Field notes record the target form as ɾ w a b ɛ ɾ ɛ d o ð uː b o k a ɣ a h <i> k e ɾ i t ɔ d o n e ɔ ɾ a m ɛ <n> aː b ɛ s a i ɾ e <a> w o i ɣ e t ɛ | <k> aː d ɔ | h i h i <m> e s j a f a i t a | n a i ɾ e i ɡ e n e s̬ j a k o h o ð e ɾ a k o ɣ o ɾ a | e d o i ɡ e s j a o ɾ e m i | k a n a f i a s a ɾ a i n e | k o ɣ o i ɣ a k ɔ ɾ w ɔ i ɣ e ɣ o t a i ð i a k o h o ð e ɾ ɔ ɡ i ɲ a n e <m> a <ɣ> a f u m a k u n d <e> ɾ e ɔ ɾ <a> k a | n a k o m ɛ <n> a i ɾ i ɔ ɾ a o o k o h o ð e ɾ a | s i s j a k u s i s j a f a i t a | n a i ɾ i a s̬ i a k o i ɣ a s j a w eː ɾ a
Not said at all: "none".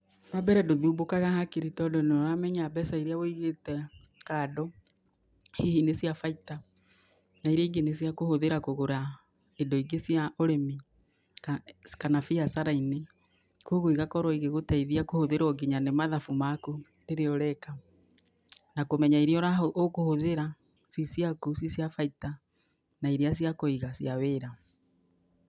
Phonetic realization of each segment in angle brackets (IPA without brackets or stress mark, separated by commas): a, ɲ, a, k, n, m, ð, e, ɛ, ɲ